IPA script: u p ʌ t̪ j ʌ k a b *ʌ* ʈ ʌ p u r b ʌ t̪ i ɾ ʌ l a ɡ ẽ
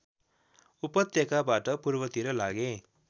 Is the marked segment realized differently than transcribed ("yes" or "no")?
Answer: yes